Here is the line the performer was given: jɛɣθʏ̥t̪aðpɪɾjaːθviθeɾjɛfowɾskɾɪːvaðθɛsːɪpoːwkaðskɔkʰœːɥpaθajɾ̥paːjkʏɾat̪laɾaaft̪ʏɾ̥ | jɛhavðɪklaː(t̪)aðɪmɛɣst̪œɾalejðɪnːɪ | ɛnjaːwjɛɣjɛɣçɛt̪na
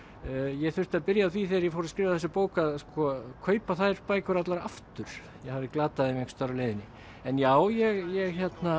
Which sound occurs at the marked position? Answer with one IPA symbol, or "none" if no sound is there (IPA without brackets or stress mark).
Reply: t̪